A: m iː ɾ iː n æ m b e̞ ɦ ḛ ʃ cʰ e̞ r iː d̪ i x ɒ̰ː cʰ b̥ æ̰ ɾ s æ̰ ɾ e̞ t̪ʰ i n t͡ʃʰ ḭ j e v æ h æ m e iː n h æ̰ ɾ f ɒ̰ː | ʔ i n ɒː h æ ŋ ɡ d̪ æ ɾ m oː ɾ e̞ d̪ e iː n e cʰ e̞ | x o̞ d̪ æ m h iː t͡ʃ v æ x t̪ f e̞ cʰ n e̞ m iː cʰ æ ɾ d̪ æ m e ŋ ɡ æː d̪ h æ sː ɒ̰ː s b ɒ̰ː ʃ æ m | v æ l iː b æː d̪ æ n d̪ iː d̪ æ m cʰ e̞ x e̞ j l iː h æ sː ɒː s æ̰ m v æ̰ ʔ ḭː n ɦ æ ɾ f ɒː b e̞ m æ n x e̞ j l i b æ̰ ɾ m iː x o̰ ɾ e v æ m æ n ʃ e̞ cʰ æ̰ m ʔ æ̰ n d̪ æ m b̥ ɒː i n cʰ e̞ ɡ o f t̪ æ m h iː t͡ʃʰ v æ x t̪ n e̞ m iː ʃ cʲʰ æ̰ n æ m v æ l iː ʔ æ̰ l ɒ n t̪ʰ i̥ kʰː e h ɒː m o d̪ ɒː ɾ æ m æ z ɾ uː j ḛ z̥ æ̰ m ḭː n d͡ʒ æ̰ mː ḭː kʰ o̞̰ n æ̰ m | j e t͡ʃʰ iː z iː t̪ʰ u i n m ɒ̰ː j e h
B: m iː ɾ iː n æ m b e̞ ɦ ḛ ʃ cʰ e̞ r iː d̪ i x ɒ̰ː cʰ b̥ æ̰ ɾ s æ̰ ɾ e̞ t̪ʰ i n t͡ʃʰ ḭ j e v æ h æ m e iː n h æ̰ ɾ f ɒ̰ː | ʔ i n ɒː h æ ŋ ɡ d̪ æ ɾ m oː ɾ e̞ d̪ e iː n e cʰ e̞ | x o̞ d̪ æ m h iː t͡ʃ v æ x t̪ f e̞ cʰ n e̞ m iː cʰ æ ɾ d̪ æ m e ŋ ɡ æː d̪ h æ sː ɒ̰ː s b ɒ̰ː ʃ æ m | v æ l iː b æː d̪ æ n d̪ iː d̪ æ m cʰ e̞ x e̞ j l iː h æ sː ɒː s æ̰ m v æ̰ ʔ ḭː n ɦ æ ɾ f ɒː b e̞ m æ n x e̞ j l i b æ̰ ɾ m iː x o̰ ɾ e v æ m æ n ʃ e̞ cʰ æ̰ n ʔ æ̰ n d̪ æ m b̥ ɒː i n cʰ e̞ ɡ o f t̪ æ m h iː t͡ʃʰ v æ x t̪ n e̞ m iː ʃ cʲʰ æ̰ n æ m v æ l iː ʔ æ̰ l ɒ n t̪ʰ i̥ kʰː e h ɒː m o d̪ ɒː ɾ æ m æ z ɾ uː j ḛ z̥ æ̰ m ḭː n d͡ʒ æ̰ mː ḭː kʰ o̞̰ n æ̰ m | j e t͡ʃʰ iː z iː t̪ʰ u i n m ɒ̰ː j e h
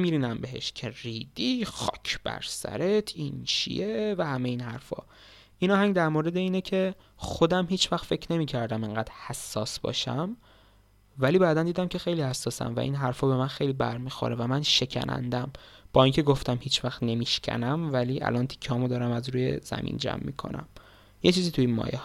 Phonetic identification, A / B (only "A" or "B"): B